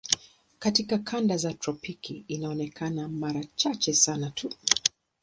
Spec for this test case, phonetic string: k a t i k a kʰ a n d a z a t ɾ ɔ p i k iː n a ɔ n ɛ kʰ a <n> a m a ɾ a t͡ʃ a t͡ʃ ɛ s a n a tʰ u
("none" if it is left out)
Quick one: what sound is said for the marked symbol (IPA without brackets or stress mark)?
n